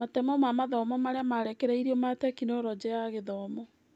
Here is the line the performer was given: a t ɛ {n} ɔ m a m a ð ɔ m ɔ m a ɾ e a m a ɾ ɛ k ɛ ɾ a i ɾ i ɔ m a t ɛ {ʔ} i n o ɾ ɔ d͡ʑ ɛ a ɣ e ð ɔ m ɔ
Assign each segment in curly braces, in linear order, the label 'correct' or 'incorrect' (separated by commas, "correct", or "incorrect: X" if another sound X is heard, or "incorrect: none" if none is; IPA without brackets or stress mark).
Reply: incorrect: m, incorrect: k